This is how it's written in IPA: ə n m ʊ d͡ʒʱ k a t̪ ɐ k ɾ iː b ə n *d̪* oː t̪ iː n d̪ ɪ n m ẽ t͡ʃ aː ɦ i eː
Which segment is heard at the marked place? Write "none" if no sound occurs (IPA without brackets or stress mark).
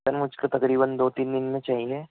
d̪